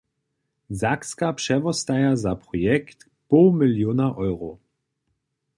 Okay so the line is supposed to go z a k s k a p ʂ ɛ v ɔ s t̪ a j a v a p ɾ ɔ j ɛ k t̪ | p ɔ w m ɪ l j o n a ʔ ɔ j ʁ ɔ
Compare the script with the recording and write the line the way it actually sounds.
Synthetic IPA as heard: z a k s k a p ʂ ɛ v ɔ s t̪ a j a z a p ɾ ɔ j ɛ k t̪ | p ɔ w m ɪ l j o n a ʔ ɔ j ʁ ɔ